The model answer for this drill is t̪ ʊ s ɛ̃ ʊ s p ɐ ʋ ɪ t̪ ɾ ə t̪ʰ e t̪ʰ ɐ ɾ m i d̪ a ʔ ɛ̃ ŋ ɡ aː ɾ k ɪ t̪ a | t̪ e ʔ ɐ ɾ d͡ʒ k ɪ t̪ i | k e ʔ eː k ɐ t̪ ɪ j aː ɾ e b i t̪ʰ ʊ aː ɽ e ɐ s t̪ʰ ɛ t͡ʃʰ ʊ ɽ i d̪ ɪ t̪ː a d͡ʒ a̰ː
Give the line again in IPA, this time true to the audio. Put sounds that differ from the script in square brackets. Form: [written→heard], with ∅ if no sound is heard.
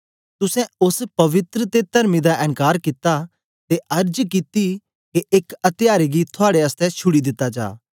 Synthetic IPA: t̪ ʊ s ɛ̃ ʊ s p ɐ ʋ ɪ t̪ ɾ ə [t̪ʰ→t̪] e [t̪ʰ→t̪] ɐ ɾ m i d̪ a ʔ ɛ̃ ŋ [ɡ→k] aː ɾ k ɪ t̪ a | t̪ e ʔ ɐ ɾ d͡ʒ k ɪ t̪ i | k e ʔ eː k ɐ t̪ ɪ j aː ɾ e [b→ɡ] i t̪ʰ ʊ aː ɽ e ɐ s [t̪ʰ→t̪] ɛ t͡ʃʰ ʊ ɽ i d̪ ɪ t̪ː a d͡ʒ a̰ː